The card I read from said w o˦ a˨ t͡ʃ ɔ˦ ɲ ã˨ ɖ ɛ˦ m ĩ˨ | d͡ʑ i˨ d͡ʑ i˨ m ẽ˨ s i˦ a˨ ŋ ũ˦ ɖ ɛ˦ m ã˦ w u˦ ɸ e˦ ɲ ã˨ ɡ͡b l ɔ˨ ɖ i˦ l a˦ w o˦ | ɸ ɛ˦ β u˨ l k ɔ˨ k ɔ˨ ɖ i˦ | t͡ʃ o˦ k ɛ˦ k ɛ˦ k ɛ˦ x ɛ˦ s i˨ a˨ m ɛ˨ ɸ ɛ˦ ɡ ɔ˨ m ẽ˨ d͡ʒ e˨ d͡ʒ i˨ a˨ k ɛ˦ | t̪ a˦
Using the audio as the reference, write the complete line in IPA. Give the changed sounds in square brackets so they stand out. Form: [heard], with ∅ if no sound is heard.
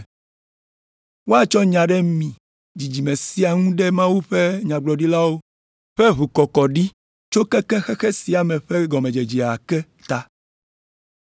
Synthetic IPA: w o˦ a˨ t͡ʃ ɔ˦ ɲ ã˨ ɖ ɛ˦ m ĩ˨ | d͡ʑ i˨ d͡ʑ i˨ m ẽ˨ s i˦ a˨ ŋ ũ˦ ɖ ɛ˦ m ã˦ w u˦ ɸ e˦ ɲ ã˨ ɡ͡b l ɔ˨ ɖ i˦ l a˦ w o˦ | ɸ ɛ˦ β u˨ [∅] k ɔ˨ k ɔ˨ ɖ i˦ | t͡ʃ o˦ k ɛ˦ k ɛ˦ [x] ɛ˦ x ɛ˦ s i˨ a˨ m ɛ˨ ɸ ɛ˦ ɡ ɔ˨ m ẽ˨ d͡ʒ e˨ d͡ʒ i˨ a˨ k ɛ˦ | t̪ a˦